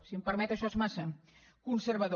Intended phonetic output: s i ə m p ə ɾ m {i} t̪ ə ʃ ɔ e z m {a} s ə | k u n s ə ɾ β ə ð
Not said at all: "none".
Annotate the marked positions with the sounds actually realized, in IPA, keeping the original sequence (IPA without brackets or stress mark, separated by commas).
ɛ, a